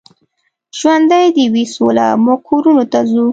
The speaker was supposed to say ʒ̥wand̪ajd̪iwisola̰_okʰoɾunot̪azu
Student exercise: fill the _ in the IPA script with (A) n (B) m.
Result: B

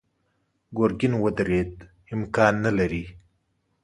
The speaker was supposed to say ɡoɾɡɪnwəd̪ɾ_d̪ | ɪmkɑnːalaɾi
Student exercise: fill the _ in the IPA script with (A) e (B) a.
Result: A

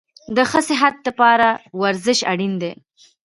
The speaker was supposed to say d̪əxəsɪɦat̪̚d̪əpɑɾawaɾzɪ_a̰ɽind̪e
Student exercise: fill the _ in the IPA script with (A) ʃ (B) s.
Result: A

